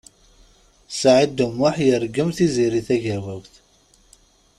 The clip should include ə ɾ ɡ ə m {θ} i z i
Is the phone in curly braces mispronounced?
no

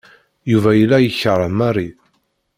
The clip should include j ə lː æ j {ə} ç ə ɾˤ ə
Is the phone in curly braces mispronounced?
no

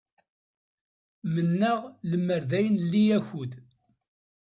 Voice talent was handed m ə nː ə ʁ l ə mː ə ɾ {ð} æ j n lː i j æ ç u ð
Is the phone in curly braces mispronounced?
no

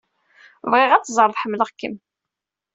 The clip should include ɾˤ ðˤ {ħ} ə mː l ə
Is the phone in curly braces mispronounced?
no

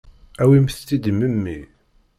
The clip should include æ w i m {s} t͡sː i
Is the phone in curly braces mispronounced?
yes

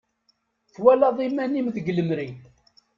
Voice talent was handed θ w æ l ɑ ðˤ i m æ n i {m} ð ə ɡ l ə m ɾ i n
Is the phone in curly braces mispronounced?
no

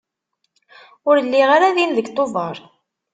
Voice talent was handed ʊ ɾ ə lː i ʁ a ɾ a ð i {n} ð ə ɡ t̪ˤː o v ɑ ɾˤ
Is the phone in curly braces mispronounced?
no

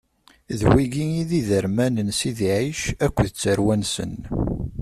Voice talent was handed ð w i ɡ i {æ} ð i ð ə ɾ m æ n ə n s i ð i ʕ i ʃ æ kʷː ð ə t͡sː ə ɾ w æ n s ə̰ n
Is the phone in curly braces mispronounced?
yes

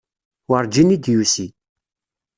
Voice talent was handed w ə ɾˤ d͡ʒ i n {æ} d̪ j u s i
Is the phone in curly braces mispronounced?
yes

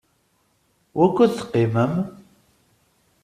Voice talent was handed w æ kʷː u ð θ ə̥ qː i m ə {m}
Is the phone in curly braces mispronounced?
no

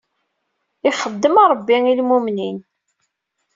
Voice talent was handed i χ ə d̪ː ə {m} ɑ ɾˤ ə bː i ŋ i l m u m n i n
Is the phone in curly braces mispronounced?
no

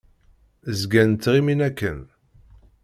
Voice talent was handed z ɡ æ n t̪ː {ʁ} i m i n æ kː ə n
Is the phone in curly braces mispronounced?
no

